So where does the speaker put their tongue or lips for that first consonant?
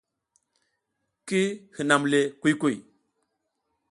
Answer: velum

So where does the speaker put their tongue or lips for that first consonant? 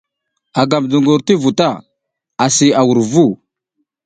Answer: velum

